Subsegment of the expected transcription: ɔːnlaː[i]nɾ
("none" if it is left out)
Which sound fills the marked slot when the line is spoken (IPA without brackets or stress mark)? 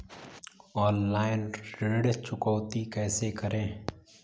ɪ